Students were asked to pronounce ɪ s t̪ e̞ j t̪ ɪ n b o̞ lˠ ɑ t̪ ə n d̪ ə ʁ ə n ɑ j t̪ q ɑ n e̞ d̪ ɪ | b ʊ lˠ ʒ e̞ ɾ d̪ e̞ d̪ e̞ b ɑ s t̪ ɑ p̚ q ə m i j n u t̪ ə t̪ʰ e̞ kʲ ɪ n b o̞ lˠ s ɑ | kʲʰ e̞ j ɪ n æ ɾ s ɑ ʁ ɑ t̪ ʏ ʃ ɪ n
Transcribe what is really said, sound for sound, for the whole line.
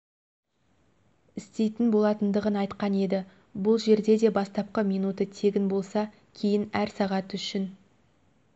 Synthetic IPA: ɪ s t̪ e̞ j t̪ ɪ n b o̞ lˠ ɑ t̪ ə n d̪ ə ʁ ə n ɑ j t̪ q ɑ n e̞ d̪ ɪ | b ʊ lˠ ʒ e̞ ɾ d̪ e̞ d̪ e̞ b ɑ s t̪ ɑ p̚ q ə m i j n u t̪ ə t̪ʰ e̞ ɡʲ ɪ n b o̞ lˠ s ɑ | kʲʰ e̞ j ɪ n æ ɾ s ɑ ʁ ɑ t̪ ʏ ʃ ɪ n

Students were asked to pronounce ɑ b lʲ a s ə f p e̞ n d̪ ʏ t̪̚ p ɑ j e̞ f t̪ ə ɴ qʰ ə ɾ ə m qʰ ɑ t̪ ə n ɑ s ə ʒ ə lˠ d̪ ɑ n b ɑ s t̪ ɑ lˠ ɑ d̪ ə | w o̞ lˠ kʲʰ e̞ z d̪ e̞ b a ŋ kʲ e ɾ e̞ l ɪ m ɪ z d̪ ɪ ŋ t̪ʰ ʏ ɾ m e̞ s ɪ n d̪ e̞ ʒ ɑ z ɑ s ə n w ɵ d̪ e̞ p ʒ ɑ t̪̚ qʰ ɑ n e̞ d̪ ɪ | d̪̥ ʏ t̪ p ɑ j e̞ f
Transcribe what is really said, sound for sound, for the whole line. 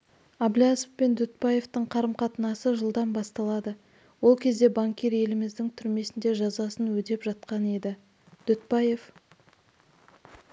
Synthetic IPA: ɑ b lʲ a s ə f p e̞ n d̪ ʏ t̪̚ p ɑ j e̞ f t̪ ə ɴ qʰ ɑ ɾ ə m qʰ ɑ t̪ ə n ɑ s ə ʒ ə lˠ d̪ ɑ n b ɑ s t̪ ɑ lˠ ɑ d̪ ə | w o̞ lˠ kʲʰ e̞ z d̪ e̞ b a ŋ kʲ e ɾ e̞ l ɪ m ɪ z d̪ ɪ ŋ t̪ʰ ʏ ɾ m e̞ s ɪ n d̪ e̞ ʒ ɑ z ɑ s ə n w ɵ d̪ e̞ p ʒ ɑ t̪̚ q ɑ n e̞ d̪ ɪ | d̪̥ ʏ t̪ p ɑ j e̞ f

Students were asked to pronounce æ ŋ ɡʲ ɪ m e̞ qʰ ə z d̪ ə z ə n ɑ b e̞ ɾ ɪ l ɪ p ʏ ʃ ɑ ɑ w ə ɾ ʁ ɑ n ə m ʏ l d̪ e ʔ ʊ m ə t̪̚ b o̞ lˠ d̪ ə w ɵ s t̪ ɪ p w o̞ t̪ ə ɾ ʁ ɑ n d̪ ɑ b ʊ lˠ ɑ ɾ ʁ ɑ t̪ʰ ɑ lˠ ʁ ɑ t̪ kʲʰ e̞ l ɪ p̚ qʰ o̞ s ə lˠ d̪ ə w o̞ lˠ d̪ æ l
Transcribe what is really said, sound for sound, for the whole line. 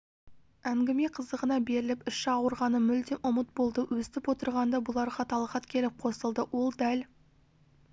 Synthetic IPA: æ ŋ ɡʲ ɪ m e̞ qʰ ə z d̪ ə ʁ ə n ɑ b e̞ ɾ ɪ l ɪ p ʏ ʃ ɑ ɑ w ə ɾ ʁ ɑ n ə m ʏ l d̪ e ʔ ʊ m ə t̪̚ b o̞ lˠ d̪ ə w ɵ s t̪ ɪ p w o̞ t̪ ə ɾ ʁ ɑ n d̪ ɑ b ʊ lˠ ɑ ɾ ʁ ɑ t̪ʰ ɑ lˠ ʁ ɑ t̪ kʲʰ e̞ l ɪ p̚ qʰ o̞ s ə lˠ d̪ ə w o̞ lˠ d̪ æ l

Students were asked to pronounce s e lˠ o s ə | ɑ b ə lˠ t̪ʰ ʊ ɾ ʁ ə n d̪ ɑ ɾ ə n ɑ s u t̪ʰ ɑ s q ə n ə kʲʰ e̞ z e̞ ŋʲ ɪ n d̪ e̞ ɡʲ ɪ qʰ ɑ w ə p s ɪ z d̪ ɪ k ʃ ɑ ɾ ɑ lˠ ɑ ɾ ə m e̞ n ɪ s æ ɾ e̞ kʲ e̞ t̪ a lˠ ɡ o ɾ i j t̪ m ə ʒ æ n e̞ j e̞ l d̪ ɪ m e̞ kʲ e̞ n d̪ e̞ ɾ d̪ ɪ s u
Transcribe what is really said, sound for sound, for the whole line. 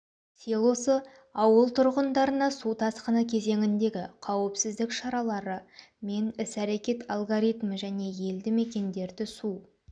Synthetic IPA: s e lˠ o s ə | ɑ w ə lˠ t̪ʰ ʊ ɾ ʁ ə n d̪ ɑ ɾ ə n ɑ s u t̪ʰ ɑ s q ə n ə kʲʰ e̞ z e̞ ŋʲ ɪ n d̪ e̞ ɡʲ ɪ qʰ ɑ w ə p s ɪ z d̪ ɪ k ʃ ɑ ɾ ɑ lˠ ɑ ɾ ə m e̞ n ɪ s æ ɾ e̞ kʲ e̞ t̪ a lˠ ɡ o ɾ i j t̪ m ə ʒ æ n e̞ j e̞ l d̪ ɪ m e̞ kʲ e̞ n d̪ e̞ ɾ d̪ ɪ s u

